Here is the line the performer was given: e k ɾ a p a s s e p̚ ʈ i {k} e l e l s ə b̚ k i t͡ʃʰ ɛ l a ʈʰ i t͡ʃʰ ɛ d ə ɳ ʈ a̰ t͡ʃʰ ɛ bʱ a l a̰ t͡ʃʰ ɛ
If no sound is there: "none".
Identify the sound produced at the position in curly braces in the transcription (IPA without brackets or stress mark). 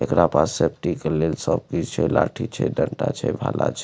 k